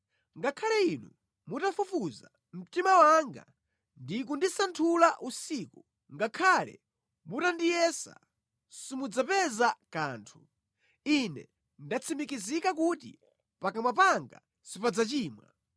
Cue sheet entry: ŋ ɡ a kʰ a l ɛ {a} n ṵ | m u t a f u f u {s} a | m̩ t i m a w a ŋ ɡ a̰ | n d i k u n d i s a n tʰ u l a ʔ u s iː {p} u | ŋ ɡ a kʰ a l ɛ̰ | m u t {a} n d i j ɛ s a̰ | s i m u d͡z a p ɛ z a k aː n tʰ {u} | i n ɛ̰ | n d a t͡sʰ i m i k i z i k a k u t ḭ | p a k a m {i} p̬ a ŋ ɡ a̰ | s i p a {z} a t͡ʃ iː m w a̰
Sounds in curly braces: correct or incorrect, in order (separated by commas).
incorrect, incorrect, incorrect, correct, correct, incorrect, incorrect